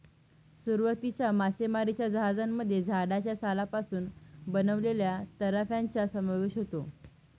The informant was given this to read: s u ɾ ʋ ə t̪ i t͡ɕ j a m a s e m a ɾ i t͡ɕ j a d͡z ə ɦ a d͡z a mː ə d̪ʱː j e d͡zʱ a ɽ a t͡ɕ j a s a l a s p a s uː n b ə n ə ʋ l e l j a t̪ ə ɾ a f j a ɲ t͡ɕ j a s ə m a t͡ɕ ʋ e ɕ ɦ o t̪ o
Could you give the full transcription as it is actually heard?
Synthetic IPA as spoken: s u ɾ ʋ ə t̪ i t͡ɕ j a m a s e m a ɾ i t͡ɕ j a d͡z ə ɦ a d͡z a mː ə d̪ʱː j e d͡zʱ a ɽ a t͡ɕ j a s a l a p a s uː n b ə n ə ʋ l e l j a t̪ ə ɾ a f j a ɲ t͡ɕ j a s ə m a ʋ e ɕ ɦ o t̪ o